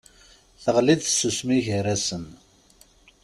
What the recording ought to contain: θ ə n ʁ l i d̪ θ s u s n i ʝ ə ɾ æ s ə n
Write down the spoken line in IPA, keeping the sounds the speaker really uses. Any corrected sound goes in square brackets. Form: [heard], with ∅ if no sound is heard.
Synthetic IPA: θ ə [∅] ʁ l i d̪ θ s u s [m] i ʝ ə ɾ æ s ə n